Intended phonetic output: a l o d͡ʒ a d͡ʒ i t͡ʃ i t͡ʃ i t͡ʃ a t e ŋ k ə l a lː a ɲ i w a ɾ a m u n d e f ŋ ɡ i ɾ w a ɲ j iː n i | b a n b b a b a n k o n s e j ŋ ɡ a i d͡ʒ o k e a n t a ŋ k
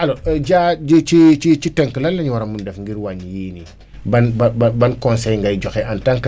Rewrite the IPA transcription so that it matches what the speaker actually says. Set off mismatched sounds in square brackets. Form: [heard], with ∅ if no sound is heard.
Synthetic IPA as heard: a l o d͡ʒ a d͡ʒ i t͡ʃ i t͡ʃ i t͡ʃ [i] t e ŋ k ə l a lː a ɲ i w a ɾ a m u n d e f ŋ ɡ i ɾ w a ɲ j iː n i | b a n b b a b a n k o n s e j ŋ ɡ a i d͡ʒ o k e a n t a ŋ k

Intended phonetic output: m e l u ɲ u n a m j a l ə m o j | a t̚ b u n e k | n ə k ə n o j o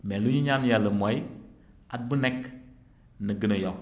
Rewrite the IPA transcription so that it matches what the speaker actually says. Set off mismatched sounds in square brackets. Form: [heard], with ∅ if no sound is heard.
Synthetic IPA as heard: m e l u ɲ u [ɲ] a [n] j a l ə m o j | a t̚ b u n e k | n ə [ɡ] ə n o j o

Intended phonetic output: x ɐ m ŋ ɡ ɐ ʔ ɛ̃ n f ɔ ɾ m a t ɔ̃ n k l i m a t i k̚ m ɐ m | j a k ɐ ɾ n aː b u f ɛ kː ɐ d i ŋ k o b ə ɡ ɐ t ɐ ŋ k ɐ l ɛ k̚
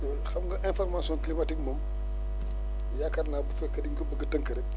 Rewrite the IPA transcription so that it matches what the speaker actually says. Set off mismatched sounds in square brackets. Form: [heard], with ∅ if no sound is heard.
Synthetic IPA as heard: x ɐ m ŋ ɡ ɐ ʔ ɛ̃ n f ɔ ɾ m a [s] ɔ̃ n k l i m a t i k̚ m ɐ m | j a k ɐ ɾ n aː b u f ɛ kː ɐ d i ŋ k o b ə ɡ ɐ t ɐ ŋ k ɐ [ɾ] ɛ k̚

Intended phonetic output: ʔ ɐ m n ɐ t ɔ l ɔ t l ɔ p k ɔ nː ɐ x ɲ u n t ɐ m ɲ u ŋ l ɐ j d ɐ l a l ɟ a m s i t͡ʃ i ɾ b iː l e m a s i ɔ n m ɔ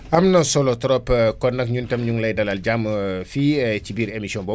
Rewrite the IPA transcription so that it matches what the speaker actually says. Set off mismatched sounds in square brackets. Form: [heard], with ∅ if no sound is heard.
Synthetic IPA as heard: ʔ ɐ m n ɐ [s] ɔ l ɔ t [ɾ] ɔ p k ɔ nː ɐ [k] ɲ u n t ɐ m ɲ u ŋ l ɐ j d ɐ l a l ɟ a m [f] i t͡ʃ i [∅] b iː [ɾ] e m [i] s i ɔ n [b] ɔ

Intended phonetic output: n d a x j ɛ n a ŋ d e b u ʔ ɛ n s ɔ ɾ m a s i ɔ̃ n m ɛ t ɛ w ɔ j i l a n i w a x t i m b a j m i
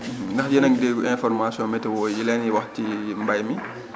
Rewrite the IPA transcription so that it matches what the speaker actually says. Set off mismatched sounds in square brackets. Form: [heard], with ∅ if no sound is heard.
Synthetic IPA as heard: n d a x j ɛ n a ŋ d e [ɡ] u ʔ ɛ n [f] ɔ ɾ m a s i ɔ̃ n m ɛ t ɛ w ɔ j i l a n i w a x t i m b a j m i

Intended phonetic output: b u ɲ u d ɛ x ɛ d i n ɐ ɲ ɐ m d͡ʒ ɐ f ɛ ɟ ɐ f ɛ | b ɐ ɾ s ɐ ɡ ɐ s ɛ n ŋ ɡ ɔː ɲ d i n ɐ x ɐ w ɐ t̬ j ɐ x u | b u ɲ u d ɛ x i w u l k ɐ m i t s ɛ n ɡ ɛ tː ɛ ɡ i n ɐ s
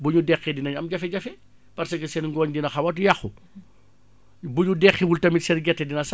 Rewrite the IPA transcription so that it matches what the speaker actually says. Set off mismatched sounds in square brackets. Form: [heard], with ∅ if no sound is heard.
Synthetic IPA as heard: b u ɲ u d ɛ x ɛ d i n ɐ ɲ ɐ m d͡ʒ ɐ f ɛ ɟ ɐ f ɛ | [p] ɐ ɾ s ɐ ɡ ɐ s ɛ n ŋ ɡ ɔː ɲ d i n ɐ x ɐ w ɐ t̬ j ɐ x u | b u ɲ u d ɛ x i w u l [t] ɐ m i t s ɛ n ɡ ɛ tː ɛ [d] i n ɐ s

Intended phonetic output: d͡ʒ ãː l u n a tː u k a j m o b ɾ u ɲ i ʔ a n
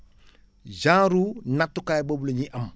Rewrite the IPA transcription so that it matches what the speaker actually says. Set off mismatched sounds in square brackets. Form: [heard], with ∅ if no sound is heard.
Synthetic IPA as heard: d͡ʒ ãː [ɾ] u n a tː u k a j [b] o b [l] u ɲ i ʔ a [m]

